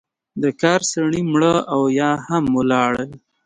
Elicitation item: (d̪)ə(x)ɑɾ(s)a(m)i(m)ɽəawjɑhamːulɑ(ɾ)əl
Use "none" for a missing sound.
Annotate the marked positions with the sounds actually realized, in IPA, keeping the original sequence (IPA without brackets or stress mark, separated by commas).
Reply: d̪, k, s, ɳ, m, ɽ